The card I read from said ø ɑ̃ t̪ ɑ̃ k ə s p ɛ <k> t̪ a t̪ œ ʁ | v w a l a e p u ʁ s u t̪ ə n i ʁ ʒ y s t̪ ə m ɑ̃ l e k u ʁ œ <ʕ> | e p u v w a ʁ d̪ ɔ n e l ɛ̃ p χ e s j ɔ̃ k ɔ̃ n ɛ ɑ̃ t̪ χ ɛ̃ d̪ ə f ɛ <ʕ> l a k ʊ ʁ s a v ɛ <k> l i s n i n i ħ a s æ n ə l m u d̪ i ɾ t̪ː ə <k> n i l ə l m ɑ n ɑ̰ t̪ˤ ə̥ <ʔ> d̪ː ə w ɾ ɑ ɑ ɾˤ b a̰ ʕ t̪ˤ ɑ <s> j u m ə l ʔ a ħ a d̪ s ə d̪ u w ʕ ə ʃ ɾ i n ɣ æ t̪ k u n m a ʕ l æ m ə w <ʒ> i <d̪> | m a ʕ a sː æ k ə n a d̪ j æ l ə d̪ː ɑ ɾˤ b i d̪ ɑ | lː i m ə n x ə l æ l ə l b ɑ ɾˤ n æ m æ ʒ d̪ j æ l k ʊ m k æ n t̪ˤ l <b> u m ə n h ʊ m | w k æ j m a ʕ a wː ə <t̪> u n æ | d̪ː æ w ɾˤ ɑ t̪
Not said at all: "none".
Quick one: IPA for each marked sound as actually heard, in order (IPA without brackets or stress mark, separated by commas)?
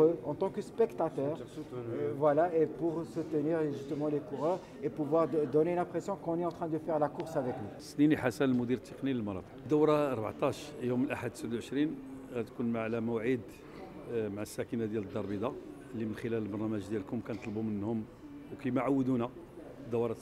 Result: k, ʁ, ʁ, k, q, q, ʃ, ʕ, d̪, b, d̪